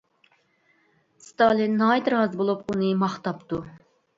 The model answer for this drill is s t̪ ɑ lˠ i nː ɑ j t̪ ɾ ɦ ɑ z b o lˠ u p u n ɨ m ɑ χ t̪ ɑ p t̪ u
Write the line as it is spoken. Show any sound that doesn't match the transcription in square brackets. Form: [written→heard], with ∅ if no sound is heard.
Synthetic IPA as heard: s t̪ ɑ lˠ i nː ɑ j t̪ ɾ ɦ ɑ z b o lˠ u p u n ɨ m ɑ χ t̪ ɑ p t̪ u